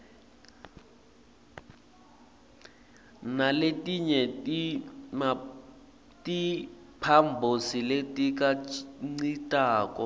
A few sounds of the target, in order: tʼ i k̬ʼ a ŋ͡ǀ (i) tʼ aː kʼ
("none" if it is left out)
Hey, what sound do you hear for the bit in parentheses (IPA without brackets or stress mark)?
i